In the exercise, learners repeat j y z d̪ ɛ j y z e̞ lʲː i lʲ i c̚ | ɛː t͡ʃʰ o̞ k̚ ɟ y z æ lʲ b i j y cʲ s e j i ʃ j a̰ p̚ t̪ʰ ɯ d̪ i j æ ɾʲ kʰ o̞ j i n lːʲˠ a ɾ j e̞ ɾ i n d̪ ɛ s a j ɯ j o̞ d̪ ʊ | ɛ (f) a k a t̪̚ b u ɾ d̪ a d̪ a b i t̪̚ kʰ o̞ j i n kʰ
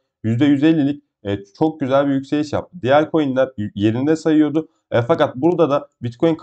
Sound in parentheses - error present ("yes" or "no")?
no